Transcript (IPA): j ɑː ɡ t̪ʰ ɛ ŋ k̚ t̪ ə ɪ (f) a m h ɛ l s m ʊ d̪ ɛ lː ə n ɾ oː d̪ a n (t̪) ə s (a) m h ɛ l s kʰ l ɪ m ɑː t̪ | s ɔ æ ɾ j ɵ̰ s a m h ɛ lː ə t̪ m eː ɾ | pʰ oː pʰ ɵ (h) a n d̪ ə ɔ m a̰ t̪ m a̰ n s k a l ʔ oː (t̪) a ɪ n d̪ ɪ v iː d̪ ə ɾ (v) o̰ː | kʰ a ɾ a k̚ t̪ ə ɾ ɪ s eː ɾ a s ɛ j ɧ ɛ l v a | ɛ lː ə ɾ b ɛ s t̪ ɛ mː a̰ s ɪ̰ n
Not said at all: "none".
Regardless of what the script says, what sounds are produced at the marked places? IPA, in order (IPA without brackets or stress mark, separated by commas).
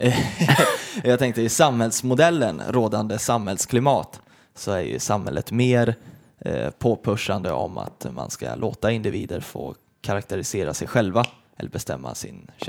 s, d̪, a, ʂ, t̪, f